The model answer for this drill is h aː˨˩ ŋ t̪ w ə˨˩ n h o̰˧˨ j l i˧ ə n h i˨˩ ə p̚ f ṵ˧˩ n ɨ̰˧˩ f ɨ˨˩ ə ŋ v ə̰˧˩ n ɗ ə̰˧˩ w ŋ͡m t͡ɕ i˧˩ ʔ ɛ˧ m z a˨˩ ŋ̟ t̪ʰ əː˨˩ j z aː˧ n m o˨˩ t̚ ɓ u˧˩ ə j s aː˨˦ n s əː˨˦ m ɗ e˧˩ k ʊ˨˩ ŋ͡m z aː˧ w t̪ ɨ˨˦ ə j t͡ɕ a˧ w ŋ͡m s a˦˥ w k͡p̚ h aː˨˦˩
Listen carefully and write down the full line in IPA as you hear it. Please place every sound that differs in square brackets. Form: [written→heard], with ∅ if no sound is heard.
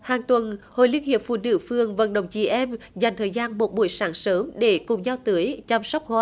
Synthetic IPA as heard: h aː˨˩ ŋ t̪ w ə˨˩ n h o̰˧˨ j l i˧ ə n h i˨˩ ə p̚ f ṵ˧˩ n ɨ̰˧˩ f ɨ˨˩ ə ŋ v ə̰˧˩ n ɗ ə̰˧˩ w ŋ͡m t͡ɕ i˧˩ ʔ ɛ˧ m z a˨˩ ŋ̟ t̪ʰ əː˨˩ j z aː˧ n m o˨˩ t̚ ɓ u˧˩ ə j s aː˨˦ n s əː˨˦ m ɗ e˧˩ k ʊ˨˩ ŋ͡m z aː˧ w t̪ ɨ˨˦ ə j t͡ɕ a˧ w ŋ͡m s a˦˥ w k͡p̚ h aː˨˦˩

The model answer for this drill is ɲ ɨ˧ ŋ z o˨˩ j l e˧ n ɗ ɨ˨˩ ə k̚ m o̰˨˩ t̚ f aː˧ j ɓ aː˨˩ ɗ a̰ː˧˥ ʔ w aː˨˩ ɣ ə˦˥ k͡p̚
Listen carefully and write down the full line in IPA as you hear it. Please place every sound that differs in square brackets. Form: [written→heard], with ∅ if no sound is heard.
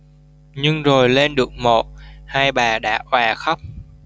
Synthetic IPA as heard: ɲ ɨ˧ ŋ z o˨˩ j l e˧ n ɗ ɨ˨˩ ə k̚ m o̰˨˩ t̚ [f→h] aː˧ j ɓ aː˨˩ ɗ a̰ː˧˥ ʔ w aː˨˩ [ɣ→x] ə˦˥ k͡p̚

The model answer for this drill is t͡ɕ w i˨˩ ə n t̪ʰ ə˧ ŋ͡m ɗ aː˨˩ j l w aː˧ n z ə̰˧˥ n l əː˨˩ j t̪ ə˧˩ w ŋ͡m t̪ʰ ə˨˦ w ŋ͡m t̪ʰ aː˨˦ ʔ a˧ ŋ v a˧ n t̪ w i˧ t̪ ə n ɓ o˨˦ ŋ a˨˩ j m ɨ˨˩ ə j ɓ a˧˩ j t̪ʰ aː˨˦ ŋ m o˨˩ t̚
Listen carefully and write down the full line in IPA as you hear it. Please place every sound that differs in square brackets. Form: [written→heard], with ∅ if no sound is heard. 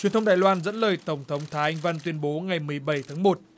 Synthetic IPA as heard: t͡ɕ w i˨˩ ə n t̪ʰ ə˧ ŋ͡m ɗ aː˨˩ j l w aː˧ n z ə̰˧˥ n l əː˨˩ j t̪ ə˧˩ w ŋ͡m t̪ʰ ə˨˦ w ŋ͡m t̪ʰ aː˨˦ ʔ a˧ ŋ v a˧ n t̪ w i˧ [t̪→∅] ə n ɓ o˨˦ ŋ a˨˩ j m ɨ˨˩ ə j ɓ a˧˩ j t̪ʰ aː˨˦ ŋ m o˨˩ t̚

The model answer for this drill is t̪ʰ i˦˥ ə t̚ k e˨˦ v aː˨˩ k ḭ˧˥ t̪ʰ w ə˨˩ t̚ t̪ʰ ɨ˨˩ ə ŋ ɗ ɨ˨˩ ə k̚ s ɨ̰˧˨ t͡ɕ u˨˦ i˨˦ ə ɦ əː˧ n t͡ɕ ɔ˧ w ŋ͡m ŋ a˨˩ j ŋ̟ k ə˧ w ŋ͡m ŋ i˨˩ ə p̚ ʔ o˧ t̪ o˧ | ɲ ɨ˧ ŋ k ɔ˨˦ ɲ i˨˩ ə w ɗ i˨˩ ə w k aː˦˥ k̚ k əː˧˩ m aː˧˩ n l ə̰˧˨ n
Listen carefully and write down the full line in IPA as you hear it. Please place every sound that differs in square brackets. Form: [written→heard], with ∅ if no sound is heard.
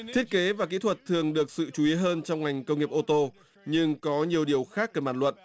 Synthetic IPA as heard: t̪ʰ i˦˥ ə t̚ k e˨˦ v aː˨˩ k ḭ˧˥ t̪ʰ w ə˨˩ t̚ t̪ʰ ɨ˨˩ ə ŋ ɗ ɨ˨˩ ə k̚ s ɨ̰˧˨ t͡ɕ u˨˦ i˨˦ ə ɦ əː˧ n t͡ɕ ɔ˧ w ŋ͡m ŋ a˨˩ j ŋ̟ k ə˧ w ŋ͡m ŋ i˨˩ ə p̚ ʔ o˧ t̪ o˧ | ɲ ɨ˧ ŋ k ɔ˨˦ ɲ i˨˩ ə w ɗ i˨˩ ə w [k→x] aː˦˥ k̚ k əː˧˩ m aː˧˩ n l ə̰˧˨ n

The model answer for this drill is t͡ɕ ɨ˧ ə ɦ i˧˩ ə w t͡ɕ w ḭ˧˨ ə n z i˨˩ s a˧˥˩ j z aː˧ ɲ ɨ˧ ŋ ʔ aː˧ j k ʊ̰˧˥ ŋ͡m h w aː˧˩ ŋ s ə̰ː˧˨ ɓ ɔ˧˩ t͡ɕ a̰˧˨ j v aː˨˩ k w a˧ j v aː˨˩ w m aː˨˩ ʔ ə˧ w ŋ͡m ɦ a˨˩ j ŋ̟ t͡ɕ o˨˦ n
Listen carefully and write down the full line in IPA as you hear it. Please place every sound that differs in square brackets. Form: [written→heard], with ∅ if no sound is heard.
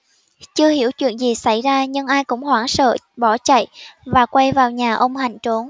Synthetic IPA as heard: t͡ɕ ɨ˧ ə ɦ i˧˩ ə w t͡ɕ w ḭ˧˨ ə n z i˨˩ s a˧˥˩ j z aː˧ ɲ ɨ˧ ŋ ʔ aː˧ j k ʊ̰˧˥ ŋ͡m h w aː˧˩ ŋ s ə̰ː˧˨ ɓ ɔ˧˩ t͡ɕ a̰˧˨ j v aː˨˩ k w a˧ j v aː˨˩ w [m→ɲ] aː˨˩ ʔ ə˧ w ŋ͡m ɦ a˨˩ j ŋ̟ t͡ɕ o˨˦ n

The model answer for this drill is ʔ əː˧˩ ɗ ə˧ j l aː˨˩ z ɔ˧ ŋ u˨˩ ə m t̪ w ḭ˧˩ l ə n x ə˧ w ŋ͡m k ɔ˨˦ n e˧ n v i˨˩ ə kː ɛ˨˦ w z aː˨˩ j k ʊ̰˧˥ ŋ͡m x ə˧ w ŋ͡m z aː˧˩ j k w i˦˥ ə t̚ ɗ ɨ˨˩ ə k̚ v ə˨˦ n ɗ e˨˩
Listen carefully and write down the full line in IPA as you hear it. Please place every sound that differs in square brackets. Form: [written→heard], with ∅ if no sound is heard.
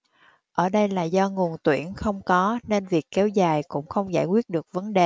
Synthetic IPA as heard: ʔ əː˧˩ ɗ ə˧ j l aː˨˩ z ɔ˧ ŋ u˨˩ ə [m→n] t̪ w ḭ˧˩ [l→∅] ə n x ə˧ w ŋ͡m k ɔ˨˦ n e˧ n v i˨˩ ə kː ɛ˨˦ w z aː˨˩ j k ʊ̰˧˥ ŋ͡m x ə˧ w ŋ͡m z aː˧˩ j k w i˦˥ ə t̚ ɗ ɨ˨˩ ə k̚ v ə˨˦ n ɗ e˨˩

